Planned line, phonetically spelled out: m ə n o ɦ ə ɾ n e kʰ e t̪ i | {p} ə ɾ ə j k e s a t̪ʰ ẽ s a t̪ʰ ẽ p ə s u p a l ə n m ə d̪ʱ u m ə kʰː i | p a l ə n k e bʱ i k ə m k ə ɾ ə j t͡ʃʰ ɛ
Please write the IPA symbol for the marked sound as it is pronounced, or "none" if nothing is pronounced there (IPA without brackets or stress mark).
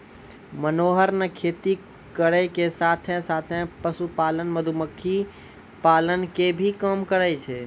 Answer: k